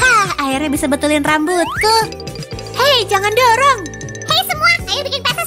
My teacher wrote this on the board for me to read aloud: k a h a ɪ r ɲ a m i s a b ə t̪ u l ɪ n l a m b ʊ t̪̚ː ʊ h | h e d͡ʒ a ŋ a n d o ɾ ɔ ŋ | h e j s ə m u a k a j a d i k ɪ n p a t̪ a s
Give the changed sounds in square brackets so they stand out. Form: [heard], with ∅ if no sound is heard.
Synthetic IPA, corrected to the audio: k a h a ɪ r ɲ a [b] i s a b ə t̪ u l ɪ n [r] a m b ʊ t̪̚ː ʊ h | h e d͡ʒ a ŋ a n d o ɾ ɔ ŋ | h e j s ə m u a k a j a [b] i k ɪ n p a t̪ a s